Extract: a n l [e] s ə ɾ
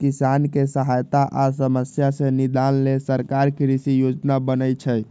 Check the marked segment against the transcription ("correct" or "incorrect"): correct